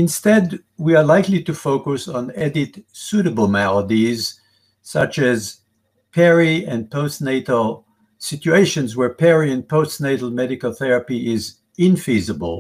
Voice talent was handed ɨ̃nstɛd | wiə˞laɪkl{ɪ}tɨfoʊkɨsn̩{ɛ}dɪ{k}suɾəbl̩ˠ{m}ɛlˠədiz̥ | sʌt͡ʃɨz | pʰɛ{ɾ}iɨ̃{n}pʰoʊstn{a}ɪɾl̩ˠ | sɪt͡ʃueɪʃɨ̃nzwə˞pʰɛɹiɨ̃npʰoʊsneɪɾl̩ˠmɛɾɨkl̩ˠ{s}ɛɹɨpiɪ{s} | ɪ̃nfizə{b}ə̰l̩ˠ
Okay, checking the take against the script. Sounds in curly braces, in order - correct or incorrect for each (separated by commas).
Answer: incorrect, correct, incorrect, correct, incorrect, correct, incorrect, incorrect, incorrect, correct